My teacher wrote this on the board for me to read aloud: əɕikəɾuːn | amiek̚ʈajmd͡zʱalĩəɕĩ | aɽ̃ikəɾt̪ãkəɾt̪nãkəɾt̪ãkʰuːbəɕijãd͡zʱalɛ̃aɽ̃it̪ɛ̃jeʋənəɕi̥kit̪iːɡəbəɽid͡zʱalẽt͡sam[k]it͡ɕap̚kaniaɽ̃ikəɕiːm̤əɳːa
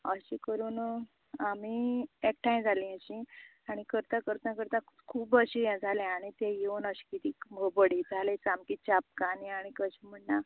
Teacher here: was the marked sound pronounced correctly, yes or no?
yes